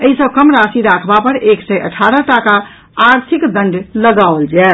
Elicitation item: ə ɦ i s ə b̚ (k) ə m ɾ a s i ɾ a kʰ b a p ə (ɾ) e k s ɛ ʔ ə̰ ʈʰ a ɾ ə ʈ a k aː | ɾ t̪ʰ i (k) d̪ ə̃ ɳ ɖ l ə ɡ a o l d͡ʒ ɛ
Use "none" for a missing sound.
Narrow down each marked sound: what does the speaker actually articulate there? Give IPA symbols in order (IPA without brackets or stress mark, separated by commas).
k, ɾ, k